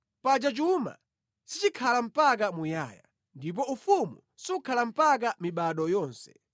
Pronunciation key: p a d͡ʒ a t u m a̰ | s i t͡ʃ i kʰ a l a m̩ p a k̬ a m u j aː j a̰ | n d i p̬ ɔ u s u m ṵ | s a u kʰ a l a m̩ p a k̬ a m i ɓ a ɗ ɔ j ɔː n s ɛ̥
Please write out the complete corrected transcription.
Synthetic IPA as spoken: p a d͡ʒ a t͡ʃ u m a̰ | s i t͡ʃ i kʰ a l a m̩ p a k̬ a m u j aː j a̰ | n d i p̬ ɔ u f u m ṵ | s i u kʰ a l a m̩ p a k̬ a m i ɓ a ɗ ɔ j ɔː n s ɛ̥